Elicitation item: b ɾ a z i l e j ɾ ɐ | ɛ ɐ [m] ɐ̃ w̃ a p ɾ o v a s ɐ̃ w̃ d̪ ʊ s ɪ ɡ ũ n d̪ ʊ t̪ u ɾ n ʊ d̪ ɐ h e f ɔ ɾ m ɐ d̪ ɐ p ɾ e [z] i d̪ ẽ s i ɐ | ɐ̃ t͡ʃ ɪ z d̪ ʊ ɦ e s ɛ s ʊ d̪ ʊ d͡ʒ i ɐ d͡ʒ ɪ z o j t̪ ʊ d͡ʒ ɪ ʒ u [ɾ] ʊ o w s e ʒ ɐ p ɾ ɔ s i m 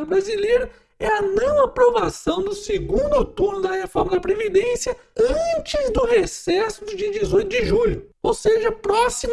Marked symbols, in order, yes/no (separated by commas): no, no, no